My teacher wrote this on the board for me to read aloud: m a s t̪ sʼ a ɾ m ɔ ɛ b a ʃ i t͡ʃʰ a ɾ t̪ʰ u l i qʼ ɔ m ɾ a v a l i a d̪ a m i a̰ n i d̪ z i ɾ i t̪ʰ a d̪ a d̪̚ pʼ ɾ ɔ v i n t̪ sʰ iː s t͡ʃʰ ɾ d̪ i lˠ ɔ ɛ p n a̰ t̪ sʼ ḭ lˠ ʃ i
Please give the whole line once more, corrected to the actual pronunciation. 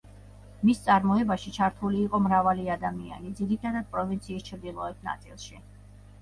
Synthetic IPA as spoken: m i s t̪ sʼ a ɾ m ɔ ɛ b a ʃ i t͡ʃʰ a ɾ t̪ʰ u l iː qʼ ɔ m ɾ a v a l i a d̪ a m i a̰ n i d̪ z i ɾ i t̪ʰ a d̪ a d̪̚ pʼ ɾ ɔ v i n t̪ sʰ iː s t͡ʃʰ ɾ d̪ i lˠ ɔ ɛ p n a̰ t̪ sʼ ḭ lˠ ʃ i